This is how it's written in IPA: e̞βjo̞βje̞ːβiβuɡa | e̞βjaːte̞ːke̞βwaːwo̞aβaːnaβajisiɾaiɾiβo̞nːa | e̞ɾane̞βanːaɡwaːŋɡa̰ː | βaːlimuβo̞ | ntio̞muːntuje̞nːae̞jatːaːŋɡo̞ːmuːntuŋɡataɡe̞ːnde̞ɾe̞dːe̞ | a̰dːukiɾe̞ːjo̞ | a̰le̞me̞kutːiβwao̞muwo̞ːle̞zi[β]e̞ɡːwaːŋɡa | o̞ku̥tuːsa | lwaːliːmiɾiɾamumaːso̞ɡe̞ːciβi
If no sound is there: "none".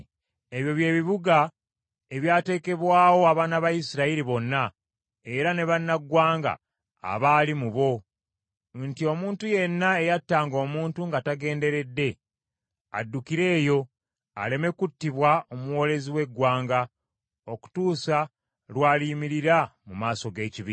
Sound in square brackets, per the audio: w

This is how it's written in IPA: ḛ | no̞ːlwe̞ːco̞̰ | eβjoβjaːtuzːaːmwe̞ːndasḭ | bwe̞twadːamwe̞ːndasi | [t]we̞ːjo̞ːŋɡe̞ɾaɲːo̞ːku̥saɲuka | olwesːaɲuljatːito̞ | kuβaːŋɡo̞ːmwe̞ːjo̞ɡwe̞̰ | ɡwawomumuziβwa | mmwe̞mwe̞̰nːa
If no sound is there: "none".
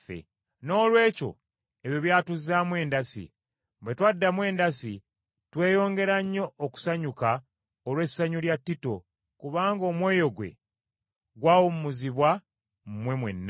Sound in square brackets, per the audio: t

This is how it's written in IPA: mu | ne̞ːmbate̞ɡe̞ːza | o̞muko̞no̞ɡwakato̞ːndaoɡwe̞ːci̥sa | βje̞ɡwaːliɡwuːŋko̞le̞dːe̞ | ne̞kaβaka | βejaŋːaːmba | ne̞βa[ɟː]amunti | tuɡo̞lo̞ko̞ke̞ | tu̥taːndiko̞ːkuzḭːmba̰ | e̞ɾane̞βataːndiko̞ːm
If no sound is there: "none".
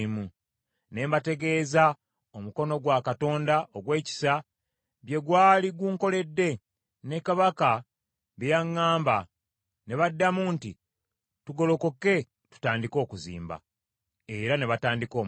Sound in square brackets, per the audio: dː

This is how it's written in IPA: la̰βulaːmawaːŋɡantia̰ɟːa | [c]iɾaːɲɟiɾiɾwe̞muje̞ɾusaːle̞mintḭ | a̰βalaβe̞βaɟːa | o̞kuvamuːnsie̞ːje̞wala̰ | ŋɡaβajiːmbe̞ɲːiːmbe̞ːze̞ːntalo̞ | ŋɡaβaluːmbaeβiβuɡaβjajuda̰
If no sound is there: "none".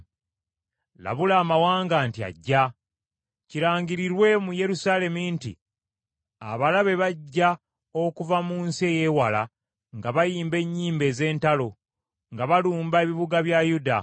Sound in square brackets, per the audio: c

